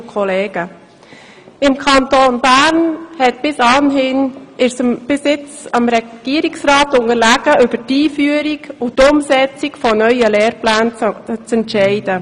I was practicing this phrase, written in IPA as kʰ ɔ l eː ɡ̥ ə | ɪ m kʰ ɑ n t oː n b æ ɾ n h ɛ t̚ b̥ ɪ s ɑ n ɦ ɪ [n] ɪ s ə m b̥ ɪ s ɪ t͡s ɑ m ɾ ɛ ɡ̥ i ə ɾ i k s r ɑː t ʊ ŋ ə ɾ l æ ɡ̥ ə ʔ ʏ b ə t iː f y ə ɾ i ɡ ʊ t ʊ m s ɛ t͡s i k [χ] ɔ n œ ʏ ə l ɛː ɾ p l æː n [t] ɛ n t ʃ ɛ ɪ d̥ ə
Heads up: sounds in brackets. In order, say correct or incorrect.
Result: correct, incorrect: f, incorrect: t͡s

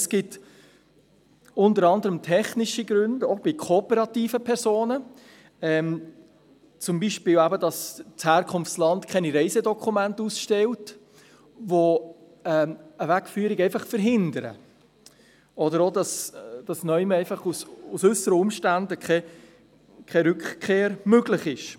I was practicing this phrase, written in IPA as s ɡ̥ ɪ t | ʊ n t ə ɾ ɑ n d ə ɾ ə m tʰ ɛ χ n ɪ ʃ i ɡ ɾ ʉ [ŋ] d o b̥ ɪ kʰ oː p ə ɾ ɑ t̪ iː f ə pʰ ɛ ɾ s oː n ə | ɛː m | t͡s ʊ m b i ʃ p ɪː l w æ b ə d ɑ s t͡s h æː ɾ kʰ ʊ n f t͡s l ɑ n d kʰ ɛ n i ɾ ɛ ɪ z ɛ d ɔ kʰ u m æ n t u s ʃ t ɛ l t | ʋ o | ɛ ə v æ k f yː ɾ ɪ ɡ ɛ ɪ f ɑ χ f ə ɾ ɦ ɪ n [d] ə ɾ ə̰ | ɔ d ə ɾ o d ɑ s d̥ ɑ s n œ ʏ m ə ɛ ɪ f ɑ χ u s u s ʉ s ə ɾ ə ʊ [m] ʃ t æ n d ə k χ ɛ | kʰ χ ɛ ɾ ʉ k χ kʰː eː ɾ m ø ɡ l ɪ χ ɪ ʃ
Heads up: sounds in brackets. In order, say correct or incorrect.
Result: incorrect: n, correct, correct

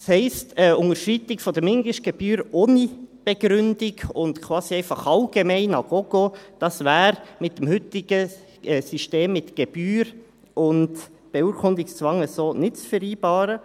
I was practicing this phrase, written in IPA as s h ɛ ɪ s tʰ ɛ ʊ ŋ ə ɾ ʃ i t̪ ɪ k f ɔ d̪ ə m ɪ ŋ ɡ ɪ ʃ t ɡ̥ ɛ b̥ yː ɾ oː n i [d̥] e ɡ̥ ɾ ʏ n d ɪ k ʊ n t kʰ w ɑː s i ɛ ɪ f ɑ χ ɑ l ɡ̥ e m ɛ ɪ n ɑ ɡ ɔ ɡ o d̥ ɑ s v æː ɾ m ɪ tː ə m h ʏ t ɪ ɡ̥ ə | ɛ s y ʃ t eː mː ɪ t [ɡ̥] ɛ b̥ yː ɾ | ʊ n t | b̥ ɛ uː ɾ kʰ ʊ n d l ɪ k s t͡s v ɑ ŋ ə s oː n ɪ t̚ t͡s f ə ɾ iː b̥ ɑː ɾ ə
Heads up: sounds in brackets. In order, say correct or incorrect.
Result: incorrect: b̥, correct

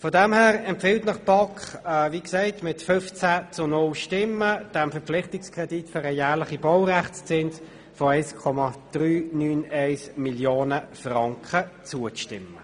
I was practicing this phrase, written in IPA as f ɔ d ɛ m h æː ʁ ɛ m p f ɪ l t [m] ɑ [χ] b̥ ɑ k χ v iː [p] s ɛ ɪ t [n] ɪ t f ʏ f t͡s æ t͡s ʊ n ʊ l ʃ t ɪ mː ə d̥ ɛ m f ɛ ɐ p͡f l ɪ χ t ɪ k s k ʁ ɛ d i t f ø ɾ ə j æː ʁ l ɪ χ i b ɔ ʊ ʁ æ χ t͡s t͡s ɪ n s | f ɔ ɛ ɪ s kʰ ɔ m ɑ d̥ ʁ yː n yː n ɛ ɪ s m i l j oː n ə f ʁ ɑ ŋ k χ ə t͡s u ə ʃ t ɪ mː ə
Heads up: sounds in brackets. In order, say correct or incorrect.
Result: incorrect: n, correct, incorrect: k, incorrect: m

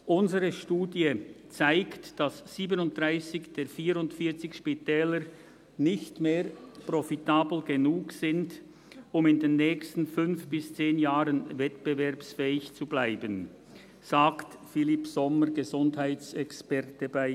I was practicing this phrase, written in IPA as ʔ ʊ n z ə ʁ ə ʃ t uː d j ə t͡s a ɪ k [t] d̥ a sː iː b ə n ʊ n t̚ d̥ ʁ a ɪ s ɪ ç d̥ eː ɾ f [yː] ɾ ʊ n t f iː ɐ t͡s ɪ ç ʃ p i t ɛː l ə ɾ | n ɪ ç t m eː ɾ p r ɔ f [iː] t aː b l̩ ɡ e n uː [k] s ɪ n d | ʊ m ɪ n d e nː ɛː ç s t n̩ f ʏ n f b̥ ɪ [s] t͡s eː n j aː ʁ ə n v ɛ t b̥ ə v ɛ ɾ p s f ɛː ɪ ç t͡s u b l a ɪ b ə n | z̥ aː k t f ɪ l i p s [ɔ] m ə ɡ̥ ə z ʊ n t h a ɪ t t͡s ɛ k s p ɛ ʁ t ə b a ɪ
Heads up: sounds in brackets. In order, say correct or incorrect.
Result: correct, incorrect: iː, incorrect: i, correct, correct, correct

